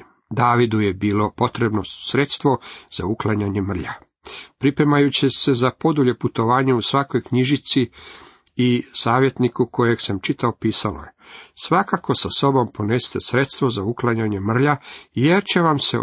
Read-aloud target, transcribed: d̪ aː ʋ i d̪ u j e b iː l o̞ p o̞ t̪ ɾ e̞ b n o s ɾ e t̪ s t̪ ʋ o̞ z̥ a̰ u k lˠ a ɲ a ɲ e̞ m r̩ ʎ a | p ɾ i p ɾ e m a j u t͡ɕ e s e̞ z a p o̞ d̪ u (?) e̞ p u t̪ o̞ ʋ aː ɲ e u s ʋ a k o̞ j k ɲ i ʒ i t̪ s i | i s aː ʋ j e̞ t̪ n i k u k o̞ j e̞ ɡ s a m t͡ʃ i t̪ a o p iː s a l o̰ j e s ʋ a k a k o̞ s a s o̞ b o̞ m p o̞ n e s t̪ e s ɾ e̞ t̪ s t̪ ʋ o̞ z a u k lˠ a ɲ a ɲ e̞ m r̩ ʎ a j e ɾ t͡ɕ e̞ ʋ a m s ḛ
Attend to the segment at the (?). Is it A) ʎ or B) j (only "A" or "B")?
A